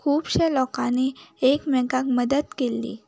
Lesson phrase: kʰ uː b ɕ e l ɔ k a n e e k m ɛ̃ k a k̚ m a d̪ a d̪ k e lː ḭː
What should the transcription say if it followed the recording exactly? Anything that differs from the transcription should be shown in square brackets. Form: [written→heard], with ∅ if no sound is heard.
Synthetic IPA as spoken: kʰ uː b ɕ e l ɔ k a n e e k m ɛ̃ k a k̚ m [a→ə] d̪ [a→ə] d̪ k e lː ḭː